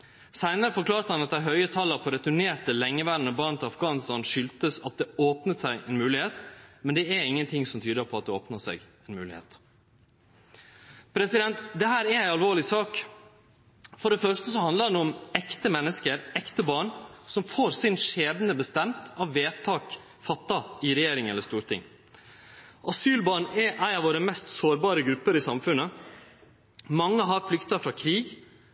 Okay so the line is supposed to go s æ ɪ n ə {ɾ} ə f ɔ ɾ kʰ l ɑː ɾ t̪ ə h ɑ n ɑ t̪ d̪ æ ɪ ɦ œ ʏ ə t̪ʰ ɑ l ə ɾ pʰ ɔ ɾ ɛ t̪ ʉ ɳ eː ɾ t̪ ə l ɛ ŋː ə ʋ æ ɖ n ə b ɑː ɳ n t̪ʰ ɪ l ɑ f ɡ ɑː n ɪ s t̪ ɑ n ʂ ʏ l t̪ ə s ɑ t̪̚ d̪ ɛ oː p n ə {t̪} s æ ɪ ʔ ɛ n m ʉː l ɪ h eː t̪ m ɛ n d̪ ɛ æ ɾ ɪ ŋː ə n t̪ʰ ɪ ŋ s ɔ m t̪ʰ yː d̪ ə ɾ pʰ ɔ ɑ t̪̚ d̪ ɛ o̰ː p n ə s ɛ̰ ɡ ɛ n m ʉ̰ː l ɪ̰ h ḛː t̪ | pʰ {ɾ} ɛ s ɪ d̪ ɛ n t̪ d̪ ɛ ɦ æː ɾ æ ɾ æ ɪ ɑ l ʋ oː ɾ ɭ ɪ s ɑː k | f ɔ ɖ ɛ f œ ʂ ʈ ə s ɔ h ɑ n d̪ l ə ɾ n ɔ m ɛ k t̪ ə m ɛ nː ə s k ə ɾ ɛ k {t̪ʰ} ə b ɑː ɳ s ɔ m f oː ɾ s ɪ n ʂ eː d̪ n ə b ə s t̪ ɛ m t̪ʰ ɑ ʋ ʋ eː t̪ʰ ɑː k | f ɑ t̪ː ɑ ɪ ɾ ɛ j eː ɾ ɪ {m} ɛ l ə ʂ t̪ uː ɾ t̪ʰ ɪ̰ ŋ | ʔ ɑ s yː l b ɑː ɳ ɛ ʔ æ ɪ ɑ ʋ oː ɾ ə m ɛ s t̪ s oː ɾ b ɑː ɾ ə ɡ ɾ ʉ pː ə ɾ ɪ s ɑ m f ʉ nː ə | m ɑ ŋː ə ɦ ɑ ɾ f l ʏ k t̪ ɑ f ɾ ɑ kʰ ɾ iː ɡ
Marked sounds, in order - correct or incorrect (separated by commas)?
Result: correct, correct, correct, incorrect, incorrect